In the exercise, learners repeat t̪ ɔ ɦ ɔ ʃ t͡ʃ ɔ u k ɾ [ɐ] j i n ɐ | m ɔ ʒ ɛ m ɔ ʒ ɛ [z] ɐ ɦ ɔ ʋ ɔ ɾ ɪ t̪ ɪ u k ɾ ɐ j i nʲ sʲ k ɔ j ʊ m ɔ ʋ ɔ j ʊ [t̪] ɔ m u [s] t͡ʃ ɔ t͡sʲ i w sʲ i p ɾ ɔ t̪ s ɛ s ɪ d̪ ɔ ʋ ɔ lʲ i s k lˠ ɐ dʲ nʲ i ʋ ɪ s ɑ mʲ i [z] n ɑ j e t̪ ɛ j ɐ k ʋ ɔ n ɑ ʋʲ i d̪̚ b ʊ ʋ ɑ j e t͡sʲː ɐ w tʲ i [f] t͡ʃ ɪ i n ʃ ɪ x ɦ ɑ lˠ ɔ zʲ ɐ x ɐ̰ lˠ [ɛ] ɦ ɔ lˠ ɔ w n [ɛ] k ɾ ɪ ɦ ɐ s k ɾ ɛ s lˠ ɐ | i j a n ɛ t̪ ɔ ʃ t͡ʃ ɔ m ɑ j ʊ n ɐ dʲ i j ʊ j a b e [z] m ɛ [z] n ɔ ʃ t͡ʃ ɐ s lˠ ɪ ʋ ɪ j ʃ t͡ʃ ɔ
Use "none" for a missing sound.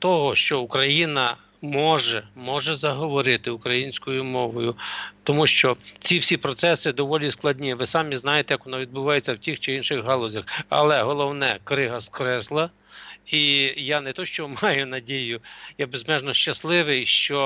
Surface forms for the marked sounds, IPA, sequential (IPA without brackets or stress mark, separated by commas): ɐ, z, t̪, ʃ, z, x, ɛ, ɛ, z, ʒ